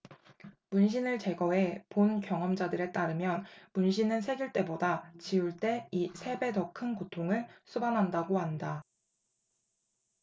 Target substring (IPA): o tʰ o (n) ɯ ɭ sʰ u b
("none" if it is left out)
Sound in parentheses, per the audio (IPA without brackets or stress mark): ŋ